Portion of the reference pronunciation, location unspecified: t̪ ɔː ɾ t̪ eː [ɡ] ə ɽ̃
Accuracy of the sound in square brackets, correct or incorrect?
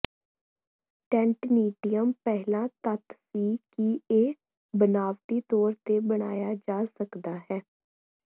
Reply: incorrect